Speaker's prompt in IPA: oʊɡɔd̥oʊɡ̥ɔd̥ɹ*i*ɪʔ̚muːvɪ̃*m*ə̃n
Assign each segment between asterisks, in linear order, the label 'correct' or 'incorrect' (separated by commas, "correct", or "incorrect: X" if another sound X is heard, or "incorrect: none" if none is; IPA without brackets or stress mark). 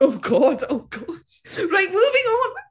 incorrect: a, incorrect: ŋ